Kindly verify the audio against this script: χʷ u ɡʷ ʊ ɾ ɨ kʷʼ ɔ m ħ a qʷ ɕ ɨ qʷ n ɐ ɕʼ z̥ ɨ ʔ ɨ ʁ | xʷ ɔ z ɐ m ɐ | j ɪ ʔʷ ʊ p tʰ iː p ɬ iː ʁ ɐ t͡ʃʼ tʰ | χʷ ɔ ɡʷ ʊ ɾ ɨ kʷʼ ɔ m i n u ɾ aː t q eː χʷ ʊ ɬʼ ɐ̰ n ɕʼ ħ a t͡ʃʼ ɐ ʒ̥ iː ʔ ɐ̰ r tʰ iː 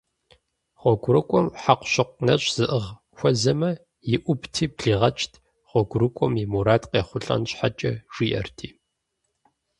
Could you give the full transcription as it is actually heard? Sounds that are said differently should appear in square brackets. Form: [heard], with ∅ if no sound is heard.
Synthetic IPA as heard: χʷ [ɔ] ɡʷ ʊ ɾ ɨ kʷʼ ɔ m ħ a qʷ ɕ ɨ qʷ n ɐ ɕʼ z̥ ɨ ʔ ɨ ʁ | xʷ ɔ z ɐ m ɐ | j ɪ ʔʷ ʊ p tʰ iː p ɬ iː ʁ ɐ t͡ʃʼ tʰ | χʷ ɔ ɡʷ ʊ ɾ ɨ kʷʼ ɔ m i [m] u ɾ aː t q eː χʷ ʊ ɬʼ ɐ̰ n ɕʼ ħ a t͡ʃʼ ɐ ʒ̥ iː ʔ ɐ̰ r tʰ iː